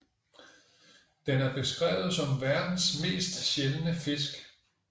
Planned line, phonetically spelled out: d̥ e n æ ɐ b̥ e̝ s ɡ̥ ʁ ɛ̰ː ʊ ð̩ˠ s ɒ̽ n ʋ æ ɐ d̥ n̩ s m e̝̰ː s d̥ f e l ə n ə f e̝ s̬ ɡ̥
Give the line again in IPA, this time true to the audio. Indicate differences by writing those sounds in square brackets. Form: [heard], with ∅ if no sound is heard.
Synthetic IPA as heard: d̥ e n æ ɐ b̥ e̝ s ɡ̥ ʁ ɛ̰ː ʊ ð̩ˠ s ɒ̽ [m] ʋ æ ɐ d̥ n̩ s m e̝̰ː s d̥ [ɕ] e l ə n ə f e̝ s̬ ɡ̥